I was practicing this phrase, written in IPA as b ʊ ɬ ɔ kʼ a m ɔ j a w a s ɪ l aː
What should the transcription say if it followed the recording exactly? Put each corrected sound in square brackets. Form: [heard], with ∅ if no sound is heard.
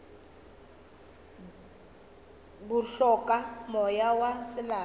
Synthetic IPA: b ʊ ɬ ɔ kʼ a m ɔ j a w a s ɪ l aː